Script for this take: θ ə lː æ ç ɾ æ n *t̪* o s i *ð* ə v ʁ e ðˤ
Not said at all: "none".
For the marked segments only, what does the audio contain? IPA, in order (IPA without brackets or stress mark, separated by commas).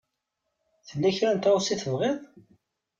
t̪, θ